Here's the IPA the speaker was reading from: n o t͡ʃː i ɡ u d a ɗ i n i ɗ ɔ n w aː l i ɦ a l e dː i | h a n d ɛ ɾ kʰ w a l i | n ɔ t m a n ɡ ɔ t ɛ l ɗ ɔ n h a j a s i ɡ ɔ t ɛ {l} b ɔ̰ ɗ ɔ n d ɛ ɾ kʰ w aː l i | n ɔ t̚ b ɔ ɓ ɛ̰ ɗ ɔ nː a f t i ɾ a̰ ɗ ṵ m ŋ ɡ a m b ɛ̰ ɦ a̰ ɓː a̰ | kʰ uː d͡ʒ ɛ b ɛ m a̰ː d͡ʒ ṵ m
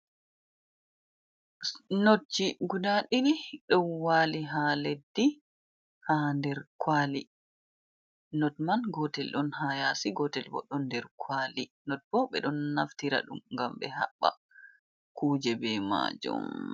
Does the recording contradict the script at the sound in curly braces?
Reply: no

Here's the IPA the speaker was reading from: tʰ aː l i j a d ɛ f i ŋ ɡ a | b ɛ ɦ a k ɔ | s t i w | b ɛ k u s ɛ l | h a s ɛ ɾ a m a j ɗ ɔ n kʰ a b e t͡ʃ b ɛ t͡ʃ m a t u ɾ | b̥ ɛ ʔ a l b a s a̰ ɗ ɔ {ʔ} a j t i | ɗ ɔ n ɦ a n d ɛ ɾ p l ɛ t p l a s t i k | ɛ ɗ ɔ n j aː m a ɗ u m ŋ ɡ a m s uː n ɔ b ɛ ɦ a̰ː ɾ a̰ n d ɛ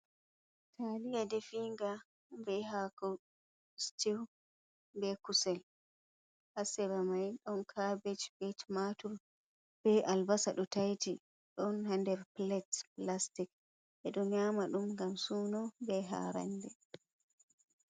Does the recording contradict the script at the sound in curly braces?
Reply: yes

